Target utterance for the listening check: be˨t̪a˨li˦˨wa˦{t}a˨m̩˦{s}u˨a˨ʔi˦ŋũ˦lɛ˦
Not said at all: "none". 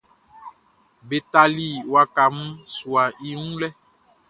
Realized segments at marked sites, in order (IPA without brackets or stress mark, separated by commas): k, s